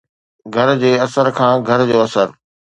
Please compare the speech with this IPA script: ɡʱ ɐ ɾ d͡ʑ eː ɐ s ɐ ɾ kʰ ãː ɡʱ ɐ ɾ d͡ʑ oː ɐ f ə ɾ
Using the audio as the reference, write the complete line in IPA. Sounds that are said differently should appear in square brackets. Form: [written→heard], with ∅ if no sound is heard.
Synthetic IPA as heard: ɡʱ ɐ ɾ d͡ʑ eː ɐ s [ɐ→ə] ɾ kʰ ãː ɡʱ ɐ ɾ d͡ʑ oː ɐ [f→s] ə ɾ